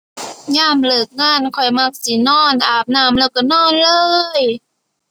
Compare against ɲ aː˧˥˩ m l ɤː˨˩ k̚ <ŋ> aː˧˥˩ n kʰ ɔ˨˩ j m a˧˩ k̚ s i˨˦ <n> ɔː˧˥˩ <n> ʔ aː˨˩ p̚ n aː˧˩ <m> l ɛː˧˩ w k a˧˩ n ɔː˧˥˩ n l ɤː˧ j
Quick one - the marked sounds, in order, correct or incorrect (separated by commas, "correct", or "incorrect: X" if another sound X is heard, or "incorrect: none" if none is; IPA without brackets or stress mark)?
correct, correct, correct, correct